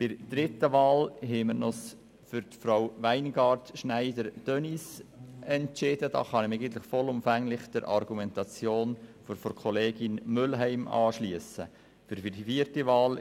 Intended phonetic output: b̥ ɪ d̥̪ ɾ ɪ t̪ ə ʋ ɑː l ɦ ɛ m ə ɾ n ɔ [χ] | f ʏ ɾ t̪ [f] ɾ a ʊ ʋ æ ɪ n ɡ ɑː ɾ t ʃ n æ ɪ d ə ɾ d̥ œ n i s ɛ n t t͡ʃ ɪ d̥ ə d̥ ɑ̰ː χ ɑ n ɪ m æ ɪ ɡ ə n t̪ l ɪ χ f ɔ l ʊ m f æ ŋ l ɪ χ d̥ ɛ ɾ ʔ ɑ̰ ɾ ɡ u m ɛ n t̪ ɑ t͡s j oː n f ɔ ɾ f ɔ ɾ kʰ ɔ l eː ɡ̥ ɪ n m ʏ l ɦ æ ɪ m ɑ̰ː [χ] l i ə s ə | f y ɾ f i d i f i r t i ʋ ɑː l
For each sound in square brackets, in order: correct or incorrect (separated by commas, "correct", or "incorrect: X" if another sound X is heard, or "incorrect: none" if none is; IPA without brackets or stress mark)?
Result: incorrect: s, correct, incorrect: ʃ